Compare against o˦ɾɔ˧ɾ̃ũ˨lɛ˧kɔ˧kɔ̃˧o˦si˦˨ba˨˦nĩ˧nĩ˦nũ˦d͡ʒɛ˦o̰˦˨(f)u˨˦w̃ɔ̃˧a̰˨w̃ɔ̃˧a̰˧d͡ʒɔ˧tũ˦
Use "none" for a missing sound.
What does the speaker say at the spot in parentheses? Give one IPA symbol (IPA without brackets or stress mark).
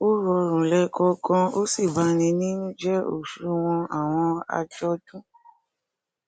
ʃ